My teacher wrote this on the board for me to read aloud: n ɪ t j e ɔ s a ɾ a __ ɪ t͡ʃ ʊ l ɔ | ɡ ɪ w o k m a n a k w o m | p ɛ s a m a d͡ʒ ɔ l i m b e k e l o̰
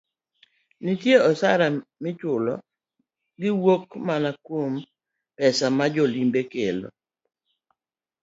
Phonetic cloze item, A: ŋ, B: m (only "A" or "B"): B